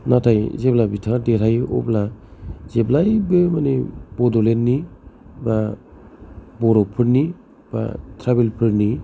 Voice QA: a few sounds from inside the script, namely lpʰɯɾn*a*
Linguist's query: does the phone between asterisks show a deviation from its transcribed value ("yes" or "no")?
yes